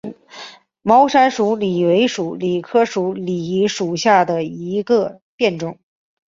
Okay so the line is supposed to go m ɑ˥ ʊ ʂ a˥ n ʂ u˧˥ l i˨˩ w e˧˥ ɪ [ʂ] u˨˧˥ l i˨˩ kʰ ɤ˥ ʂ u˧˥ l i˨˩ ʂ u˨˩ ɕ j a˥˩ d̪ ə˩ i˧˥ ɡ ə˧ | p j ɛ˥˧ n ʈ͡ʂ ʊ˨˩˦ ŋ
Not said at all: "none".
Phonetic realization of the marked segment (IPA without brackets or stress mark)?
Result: ʂ